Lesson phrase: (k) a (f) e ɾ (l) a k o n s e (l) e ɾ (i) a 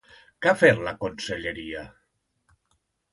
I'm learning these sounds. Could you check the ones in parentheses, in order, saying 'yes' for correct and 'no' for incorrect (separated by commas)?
yes, yes, yes, no, yes